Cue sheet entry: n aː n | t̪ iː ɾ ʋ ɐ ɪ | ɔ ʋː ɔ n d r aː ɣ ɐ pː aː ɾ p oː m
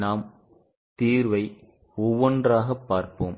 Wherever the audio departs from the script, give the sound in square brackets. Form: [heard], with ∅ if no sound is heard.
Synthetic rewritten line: n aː [m] | t̪ iː ɾ ʋ ɐ ɪ | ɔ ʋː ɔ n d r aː ɣ ɐ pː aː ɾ p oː m

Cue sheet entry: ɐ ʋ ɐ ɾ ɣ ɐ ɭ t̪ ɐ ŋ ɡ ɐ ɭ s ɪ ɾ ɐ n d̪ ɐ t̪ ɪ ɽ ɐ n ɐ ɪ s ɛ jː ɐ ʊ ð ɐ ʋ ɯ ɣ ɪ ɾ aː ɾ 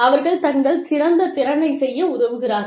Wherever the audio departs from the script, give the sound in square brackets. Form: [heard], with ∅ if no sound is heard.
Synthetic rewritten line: ɐ ʋ ɐ ɾ ɣ ɐ ɭ t̪ ɐ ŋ ɡ ɐ ɭ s ɪ ɾ ɐ n d̪ ɐ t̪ ɪ [ɾ] ɐ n ɐ ɪ s ɛ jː ɐ ʊ ð ɐ ʋ ɯ ɣ ɪ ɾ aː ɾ

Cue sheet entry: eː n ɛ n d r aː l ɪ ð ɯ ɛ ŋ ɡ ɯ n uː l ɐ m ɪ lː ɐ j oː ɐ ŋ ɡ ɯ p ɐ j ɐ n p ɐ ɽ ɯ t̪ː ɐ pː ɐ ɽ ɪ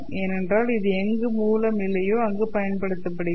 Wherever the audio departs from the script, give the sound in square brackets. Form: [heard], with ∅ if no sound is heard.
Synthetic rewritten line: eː n ɛ n d r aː l ɪ ð ɯ ɛ ŋ ɡ ɯ [m] uː l ɐ m ɪ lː ɐ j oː ɐ ŋ ɡ ɯ p ɐ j ɐ n p ɐ ɽ ɯ t̪ː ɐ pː ɐ ɽ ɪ

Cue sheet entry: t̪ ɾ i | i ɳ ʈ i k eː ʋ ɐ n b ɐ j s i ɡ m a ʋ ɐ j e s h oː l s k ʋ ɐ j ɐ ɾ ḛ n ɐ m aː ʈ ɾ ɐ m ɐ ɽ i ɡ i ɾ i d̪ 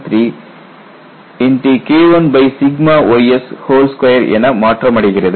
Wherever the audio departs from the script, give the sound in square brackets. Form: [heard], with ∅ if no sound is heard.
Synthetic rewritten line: t̪ ɾ i | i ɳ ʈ i k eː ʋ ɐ n b ɐ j s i ɡ m a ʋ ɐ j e s h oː l s k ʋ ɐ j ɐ ɾ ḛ n ɐ m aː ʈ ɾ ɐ m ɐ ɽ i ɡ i ɾ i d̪

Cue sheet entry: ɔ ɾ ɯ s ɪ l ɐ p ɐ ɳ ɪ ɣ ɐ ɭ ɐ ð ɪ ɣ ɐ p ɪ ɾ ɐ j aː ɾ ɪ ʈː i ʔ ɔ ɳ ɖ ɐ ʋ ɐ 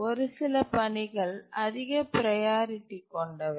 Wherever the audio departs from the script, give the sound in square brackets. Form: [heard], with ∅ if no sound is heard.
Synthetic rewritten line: ɔ ɾ ɯ s ɪ l ɐ p ɐ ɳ ɪ ɣ ɐ ɭ ɐ ð ɪ ɣ ɐ p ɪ ɾ ɐ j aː ɾ ɪ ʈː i [k] ɔ ɳ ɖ ɐ ʋ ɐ

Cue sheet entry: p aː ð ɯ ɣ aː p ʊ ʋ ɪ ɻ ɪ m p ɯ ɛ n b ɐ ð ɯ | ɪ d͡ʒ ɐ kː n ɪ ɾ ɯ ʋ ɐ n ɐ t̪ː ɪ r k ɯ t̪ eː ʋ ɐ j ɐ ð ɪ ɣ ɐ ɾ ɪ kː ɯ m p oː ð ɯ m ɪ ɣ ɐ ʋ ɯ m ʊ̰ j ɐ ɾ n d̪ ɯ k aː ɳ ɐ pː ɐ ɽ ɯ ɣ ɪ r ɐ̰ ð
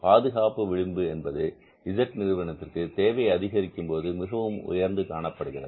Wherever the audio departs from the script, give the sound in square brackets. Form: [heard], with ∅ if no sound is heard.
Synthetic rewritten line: p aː ð ɯ ɣ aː p [ɯ] ʋ ɪ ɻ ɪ m [b] ɯ ɛ n b ɐ ð ɯ | ɪ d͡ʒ ɐ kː n ɪ ɾ ɯ ʋ ɐ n ɐ t̪ː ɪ r k ɯ t̪ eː ʋ ɐ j ɐ ð ɪ ɣ ɐ ɾ ɪ kː ɯ m p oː ð ɯ m ɪ ɣ ɐ ʋ ɯ m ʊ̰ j ɐ ɾ n d̪ ɯ k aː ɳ ɐ pː ɐ ɽ ɯ ɣ ɪ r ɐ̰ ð

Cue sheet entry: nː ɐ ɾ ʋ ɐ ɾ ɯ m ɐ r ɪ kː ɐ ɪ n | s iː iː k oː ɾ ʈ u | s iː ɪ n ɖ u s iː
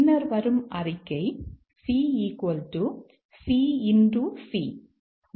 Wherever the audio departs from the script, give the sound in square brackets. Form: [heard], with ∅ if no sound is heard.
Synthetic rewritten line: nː ɐ ɾ ʋ ɐ ɾ ɯ m ɐ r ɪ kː ɐ ɪ [∅] | s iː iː k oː [l] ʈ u | s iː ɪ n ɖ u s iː

